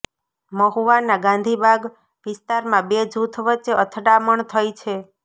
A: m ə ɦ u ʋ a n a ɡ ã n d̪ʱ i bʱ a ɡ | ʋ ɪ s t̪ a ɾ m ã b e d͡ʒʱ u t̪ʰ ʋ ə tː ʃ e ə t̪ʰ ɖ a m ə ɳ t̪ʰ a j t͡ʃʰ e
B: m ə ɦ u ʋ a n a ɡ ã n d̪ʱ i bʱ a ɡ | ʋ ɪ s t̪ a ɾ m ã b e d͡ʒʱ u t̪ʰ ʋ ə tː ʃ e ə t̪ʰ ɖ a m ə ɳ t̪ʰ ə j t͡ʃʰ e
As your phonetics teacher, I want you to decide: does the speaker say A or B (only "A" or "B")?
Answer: B